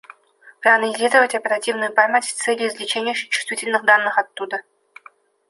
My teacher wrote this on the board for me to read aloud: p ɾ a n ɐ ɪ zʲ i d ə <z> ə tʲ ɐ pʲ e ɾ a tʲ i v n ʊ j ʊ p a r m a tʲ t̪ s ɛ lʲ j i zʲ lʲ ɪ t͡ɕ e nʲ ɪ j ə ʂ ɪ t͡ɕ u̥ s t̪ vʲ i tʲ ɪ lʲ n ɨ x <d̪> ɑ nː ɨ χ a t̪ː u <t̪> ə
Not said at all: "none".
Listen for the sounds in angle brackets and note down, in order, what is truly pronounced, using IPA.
v, d̪, d̪

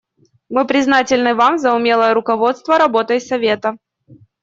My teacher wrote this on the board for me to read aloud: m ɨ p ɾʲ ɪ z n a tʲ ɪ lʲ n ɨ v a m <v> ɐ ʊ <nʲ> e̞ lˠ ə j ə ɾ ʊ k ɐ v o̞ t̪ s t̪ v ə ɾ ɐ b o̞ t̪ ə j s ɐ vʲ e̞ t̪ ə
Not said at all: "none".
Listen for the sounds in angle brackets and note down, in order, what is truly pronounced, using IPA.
z, mʲ

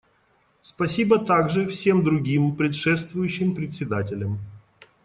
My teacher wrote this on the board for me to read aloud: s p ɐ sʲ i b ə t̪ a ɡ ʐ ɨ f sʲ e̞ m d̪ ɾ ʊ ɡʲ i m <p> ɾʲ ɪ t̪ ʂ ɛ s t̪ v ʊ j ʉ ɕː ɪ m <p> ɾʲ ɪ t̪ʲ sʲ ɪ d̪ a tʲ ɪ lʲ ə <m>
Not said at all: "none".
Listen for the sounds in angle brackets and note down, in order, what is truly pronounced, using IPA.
p, p, m

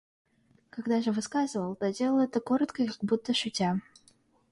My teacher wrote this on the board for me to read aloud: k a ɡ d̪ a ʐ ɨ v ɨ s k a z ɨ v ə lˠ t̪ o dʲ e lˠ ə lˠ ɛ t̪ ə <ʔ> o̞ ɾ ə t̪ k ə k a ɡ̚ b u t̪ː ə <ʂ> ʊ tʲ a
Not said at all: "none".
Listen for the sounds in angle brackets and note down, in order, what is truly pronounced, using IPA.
k, ʂ

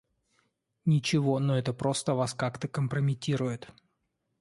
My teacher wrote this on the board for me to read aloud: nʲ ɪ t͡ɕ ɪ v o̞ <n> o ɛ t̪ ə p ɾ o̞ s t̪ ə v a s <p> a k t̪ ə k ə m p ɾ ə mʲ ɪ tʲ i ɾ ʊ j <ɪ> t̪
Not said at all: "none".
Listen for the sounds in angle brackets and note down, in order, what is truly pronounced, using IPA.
n, k, ɪ

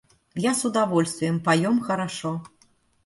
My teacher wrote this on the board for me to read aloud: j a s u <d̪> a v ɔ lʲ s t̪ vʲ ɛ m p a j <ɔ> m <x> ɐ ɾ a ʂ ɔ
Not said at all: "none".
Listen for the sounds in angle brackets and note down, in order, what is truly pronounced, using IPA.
d̪, ɔ, x

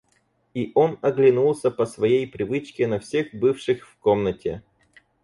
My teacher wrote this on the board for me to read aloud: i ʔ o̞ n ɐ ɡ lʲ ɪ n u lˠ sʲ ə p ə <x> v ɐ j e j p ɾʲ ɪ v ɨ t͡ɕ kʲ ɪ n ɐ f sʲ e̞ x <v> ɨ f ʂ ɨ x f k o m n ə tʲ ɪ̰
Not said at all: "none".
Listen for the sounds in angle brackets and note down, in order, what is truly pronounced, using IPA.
s, b

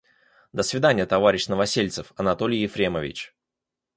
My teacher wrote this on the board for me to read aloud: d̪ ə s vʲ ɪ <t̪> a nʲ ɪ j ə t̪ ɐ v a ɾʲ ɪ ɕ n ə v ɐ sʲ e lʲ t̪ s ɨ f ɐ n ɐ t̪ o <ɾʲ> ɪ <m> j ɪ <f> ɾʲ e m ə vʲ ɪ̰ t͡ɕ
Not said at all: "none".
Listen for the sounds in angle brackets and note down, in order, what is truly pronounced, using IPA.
d̪, lʲ, none, f

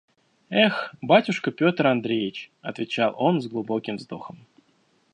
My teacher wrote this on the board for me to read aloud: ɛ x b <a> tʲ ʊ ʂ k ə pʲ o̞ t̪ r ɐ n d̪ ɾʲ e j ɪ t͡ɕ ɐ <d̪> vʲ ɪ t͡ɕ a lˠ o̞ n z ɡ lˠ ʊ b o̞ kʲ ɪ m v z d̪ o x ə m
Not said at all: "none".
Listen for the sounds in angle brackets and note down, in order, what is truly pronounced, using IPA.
a, t̪

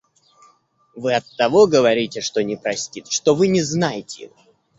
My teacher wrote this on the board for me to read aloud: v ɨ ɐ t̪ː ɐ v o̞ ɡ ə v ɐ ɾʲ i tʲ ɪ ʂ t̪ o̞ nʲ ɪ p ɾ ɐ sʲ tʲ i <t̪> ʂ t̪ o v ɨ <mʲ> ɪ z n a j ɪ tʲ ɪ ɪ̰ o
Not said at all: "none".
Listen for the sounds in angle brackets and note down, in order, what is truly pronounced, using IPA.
t̪, nʲ

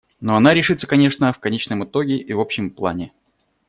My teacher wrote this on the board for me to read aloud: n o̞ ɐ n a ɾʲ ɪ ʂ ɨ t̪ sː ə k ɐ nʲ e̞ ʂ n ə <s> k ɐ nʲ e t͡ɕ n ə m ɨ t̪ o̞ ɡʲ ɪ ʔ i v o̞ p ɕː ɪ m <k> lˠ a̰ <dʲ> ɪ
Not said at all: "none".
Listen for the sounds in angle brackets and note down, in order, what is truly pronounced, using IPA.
f, p, nʲ

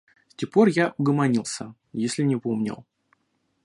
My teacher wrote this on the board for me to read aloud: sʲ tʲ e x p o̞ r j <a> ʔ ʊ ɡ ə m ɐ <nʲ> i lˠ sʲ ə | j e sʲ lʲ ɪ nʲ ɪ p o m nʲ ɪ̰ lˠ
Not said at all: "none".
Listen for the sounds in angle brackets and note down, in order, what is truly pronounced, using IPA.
a, nʲ

